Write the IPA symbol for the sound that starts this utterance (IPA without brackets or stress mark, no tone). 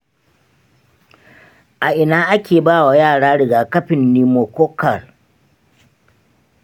ʔ